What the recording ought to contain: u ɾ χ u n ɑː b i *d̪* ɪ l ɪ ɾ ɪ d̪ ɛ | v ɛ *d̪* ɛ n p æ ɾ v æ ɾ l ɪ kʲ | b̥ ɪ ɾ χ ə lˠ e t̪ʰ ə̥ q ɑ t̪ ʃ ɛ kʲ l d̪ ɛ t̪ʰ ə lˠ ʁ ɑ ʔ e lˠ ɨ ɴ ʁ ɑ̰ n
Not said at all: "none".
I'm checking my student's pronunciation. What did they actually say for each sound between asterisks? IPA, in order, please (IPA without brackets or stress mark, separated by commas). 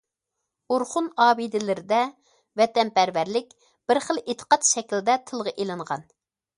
d̪, t̪